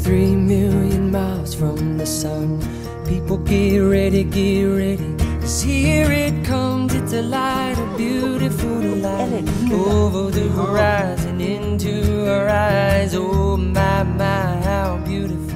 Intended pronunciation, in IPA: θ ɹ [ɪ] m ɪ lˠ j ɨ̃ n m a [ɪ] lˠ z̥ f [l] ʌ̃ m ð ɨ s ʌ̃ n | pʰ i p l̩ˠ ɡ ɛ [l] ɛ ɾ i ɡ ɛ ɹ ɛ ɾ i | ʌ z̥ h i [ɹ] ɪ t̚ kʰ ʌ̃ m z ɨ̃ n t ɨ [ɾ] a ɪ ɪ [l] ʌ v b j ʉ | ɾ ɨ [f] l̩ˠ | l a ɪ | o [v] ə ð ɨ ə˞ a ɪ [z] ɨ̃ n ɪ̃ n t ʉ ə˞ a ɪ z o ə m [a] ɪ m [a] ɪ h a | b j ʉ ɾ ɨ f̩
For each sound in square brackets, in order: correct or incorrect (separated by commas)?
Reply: incorrect, correct, incorrect, incorrect, correct, incorrect, incorrect, correct, correct, correct, correct, correct